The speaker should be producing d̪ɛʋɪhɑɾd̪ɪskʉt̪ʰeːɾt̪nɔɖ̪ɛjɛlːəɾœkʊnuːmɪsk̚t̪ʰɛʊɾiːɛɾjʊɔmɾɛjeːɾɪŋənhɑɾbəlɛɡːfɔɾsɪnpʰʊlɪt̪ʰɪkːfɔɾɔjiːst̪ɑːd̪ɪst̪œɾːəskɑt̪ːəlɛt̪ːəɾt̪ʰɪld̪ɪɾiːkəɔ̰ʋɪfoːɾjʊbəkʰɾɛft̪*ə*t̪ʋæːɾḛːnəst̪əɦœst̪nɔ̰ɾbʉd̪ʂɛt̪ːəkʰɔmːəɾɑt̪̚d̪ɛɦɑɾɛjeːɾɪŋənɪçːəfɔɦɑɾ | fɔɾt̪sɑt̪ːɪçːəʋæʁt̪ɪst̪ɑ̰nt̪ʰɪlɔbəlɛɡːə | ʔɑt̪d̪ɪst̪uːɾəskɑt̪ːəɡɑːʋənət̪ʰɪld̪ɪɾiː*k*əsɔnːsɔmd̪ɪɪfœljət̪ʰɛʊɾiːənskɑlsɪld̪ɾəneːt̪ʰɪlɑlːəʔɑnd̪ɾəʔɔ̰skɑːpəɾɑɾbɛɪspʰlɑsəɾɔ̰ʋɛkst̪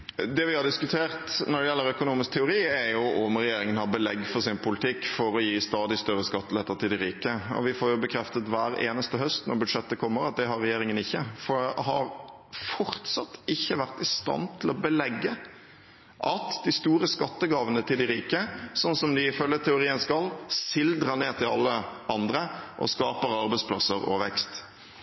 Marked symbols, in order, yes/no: yes, yes

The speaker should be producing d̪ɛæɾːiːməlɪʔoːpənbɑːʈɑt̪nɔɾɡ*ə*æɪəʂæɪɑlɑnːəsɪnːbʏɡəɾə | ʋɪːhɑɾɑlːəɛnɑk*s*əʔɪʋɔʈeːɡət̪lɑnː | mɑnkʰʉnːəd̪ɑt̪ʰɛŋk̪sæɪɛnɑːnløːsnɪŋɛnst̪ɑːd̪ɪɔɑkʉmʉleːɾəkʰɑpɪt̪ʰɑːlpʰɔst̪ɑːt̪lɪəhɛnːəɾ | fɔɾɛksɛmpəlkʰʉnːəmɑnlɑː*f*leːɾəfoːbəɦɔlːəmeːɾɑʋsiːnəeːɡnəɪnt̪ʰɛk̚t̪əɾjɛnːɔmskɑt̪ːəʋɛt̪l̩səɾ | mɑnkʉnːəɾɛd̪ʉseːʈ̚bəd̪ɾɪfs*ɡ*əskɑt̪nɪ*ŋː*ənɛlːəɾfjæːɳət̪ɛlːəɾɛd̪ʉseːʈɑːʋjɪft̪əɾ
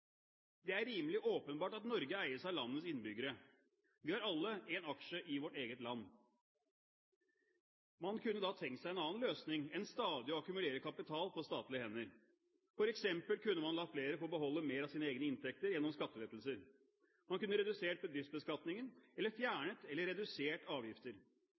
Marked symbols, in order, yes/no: yes, no, yes, no, no

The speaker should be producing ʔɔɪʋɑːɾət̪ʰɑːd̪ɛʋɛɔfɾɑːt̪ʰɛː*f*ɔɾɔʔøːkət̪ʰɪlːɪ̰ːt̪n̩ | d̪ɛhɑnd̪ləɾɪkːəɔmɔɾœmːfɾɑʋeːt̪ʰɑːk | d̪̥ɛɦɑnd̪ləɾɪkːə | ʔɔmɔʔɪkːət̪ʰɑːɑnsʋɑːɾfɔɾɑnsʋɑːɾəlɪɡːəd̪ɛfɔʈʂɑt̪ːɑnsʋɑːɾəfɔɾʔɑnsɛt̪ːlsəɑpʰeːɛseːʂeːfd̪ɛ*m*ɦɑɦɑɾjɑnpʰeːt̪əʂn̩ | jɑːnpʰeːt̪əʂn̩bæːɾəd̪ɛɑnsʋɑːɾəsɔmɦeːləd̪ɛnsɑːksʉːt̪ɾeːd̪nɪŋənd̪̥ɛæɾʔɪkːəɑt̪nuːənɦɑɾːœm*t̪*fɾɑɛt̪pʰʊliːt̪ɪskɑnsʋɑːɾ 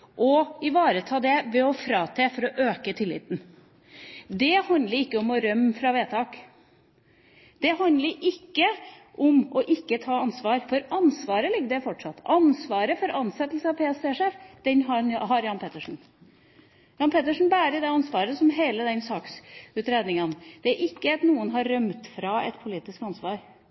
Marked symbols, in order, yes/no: yes, no, yes

